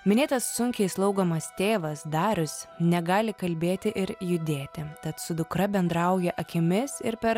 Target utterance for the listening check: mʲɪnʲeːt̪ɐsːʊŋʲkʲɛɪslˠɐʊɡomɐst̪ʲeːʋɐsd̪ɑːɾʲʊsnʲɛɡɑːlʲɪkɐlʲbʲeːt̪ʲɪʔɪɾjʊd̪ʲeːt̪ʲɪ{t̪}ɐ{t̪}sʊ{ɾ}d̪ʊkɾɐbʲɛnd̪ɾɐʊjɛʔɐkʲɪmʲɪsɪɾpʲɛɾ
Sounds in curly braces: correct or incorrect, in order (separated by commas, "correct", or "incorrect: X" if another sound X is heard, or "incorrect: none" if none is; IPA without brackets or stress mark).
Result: correct, correct, incorrect: none